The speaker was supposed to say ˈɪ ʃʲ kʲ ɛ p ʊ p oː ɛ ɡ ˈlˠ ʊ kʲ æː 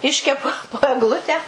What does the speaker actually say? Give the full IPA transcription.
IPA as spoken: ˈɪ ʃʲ kʲ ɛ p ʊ p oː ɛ ɡ ˈlˠ ʊ tʲ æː